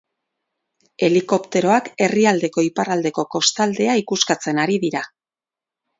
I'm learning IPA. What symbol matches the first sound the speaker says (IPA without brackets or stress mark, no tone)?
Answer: e̞